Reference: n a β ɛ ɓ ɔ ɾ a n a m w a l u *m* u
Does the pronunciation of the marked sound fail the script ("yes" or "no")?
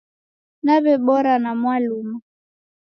no